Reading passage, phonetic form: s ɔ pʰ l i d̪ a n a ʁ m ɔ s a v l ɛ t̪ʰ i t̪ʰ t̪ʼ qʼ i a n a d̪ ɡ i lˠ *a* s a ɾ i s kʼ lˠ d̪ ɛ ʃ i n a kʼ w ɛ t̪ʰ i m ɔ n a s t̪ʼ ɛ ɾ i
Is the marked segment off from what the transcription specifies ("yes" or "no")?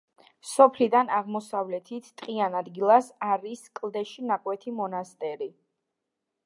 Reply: no